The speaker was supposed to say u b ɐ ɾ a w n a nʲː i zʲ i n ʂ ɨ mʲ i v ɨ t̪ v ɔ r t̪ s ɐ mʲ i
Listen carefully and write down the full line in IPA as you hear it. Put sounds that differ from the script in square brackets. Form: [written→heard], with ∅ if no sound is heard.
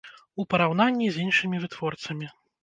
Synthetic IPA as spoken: u [b→p] ɐ ɾ a w n a nʲː i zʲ i n ʂ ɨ mʲ i v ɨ t̪ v ɔ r t̪ s ɐ mʲ i